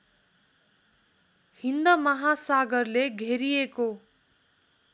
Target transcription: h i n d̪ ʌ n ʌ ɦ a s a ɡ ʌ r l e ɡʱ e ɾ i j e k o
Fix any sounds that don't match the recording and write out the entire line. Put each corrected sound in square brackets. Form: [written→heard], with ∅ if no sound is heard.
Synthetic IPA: h i n d̪ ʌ [n→m] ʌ ɦ a s a ɡ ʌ r l e ɡʱ e ɾ i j e k o